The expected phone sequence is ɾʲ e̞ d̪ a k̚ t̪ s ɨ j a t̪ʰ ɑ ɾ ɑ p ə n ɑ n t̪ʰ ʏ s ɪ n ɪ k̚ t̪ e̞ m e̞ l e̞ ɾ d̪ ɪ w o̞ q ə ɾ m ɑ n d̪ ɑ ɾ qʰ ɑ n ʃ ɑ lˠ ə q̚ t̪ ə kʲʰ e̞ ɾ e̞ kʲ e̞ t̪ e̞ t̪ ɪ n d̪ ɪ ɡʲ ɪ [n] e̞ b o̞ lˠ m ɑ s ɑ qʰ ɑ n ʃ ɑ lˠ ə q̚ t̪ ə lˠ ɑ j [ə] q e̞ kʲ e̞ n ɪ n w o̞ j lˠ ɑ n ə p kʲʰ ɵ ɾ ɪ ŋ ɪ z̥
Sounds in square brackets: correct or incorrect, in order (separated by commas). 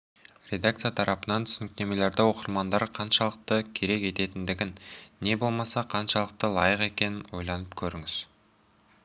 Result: incorrect, correct